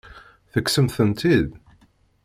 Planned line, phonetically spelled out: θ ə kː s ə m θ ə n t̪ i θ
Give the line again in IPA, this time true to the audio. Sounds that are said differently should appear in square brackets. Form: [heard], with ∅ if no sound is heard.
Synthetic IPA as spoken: θ ə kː s ə m θ ə n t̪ i [ð]